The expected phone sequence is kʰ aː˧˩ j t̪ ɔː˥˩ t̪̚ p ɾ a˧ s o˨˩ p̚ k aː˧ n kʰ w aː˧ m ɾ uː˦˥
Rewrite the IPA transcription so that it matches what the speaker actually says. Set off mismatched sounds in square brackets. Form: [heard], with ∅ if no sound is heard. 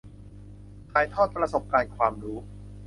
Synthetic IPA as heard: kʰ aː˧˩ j [t̪ʰ] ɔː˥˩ t̪̚ p ɾ a˧ s o˨˩ p̚ k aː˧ n kʰ w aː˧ m ɾ uː˦˥